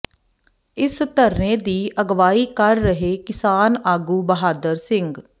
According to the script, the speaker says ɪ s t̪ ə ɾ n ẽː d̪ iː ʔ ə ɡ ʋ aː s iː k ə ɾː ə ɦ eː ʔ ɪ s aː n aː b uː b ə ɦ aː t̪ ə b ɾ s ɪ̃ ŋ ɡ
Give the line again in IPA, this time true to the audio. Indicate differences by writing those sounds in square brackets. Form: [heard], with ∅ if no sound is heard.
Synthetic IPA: ɪ s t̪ ə ɾ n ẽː d̪ iː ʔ ə ɡ ʋ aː [∅] iː k ə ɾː ə ɦ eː [k] ɪ s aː n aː [ɡ] uː b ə ɦ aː [d̪] ə [∅] ɾ s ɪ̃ ŋ ɡ